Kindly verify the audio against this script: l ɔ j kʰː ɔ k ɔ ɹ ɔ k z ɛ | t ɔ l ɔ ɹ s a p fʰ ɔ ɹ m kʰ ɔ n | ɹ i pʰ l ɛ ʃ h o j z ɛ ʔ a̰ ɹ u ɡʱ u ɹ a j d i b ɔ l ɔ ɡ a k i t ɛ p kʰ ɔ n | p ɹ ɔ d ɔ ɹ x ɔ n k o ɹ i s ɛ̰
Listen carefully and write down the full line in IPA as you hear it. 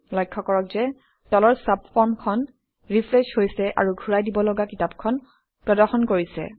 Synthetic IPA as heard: l ɔ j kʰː ɔ k ɔ ɹ ɔ k z ɛ | t ɔ l ɔ ɹ s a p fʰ ɔ ɹ m kʰ ɔ n | ɹ i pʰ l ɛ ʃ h o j s ɛ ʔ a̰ ɹ u ɡʱ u ɹ a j d i b ɔ l ɔ ɡ a k i t a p kʰ ɔ n | p ɹ ɔ d ɔ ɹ x ɔ n k o ɹ i s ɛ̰